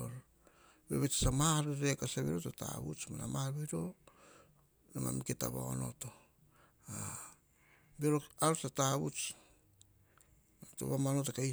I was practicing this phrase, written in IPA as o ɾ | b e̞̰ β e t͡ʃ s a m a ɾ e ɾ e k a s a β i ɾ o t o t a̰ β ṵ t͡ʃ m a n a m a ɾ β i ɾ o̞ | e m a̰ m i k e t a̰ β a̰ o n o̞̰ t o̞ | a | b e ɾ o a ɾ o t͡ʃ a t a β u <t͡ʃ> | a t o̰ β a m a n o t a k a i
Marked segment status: correct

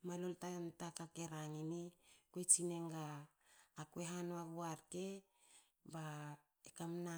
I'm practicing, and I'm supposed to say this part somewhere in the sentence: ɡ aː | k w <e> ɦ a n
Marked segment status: correct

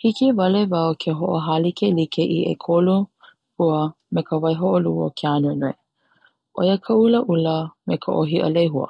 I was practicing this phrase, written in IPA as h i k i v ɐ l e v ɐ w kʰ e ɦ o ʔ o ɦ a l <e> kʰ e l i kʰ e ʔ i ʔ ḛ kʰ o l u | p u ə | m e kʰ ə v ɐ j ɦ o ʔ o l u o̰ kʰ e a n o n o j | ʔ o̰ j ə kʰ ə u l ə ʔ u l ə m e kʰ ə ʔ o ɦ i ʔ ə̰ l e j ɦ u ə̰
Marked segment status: incorrect: i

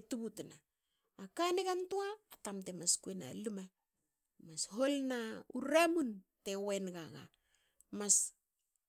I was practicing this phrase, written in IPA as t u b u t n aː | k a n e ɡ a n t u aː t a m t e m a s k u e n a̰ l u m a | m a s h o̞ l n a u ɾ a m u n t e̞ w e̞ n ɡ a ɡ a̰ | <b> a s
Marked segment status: incorrect: m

